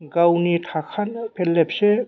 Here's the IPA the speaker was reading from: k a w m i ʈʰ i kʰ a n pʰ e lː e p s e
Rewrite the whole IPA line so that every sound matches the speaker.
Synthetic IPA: ɡ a w n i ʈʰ a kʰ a n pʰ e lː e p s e